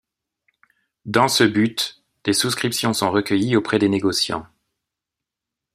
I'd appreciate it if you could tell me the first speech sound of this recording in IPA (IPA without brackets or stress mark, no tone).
d̪